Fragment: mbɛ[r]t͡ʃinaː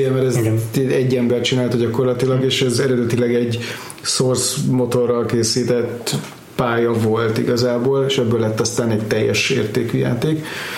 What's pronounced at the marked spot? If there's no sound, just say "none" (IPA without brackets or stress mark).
r